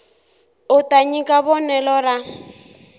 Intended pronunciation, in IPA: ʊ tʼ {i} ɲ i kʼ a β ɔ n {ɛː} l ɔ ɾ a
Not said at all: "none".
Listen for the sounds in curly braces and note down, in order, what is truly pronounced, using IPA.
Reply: a, ɛ

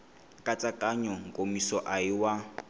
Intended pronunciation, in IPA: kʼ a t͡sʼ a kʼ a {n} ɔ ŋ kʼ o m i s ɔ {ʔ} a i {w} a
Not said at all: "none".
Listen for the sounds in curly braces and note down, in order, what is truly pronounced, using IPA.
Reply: ɲ, ʔ, w

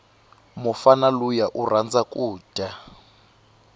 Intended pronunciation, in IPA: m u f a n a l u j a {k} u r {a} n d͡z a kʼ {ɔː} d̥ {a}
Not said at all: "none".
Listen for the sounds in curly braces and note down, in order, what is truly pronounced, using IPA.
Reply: ʔ, a, uː, a

